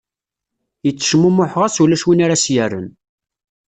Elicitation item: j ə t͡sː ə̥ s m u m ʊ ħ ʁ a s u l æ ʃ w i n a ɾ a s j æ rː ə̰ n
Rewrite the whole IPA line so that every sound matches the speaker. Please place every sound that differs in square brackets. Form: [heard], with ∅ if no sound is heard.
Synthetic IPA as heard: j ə t͡sː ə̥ [ʃ] m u m ʊ ħ ʁ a s u l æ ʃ w i n a ɾ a s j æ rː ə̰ n